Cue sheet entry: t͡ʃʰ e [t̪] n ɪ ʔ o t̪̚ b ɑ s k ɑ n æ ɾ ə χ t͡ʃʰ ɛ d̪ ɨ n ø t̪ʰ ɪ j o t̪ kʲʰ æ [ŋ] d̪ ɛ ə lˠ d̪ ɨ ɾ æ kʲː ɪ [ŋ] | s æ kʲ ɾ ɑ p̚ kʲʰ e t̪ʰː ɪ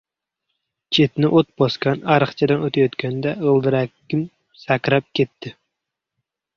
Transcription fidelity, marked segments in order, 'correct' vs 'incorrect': correct, incorrect: n, incorrect: m

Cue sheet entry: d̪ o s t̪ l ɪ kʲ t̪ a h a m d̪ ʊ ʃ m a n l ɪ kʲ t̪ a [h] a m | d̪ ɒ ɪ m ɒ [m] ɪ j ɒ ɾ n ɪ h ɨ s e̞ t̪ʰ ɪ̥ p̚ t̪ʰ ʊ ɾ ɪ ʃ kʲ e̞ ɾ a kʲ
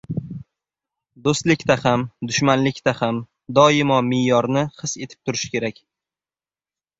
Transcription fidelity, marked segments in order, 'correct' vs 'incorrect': correct, correct

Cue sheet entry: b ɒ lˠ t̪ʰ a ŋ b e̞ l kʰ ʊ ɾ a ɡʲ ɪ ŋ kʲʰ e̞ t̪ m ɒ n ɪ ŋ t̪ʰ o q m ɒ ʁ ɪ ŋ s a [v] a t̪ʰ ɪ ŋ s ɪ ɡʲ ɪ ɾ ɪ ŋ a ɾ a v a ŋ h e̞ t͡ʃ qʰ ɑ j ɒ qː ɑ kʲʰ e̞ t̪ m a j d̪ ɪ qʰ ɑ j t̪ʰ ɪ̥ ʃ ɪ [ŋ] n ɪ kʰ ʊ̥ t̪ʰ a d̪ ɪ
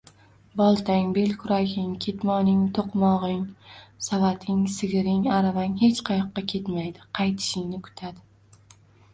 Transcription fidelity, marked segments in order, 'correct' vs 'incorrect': correct, correct

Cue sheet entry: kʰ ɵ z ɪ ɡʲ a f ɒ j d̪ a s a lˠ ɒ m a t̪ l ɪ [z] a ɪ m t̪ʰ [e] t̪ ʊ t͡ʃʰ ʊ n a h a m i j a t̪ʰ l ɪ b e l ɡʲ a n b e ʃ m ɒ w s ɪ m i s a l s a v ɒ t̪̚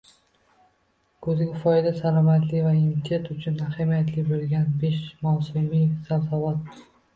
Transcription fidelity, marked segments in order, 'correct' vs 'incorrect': incorrect: v, correct

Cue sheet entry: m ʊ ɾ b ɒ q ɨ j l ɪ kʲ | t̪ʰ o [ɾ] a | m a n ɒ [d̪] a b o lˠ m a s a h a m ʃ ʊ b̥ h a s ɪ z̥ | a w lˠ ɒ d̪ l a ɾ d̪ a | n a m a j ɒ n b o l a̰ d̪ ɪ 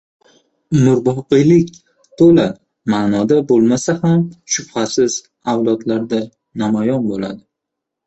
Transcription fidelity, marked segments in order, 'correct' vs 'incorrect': incorrect: l, correct

